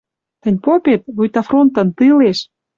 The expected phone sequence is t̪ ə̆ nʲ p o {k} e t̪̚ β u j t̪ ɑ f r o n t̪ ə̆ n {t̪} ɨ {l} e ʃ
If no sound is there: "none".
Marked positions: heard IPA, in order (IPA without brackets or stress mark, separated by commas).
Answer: p, t̪, l